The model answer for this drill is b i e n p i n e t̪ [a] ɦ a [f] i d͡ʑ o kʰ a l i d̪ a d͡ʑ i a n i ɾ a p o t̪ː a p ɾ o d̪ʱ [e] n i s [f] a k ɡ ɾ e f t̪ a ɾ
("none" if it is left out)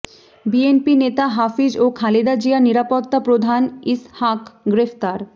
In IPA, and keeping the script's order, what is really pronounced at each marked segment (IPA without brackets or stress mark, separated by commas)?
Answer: a, f, a, h